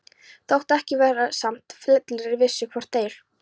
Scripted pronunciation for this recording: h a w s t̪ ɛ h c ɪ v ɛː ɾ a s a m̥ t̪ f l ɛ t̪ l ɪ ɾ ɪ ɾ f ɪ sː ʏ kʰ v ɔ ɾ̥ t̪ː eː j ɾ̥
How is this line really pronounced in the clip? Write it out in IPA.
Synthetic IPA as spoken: θ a w h t̪ ɛ h c ɪ v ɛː ɾ a s a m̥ t̪ f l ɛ t̪ l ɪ ɾ ɪ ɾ v ɪ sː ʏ kʰ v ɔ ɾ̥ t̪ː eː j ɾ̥